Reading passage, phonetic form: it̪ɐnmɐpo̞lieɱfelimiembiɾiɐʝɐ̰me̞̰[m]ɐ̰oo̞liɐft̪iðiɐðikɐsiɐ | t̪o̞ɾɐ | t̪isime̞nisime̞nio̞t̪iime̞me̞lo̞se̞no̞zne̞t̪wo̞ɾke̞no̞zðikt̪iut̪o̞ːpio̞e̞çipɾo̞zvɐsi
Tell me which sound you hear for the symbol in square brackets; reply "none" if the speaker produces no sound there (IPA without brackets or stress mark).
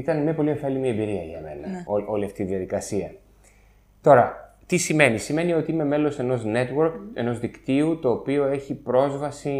n